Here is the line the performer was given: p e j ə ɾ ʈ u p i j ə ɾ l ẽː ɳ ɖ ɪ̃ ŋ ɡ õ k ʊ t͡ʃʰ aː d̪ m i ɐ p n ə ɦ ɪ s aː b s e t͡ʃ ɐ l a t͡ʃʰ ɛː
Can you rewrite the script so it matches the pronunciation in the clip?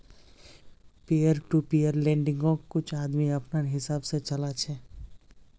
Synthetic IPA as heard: p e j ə ɾ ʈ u p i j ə ɾ l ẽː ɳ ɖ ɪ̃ ŋ ɡ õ k ʊ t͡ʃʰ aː d̪ m i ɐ p n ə ɦ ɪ s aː b s e t͡ʃ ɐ l a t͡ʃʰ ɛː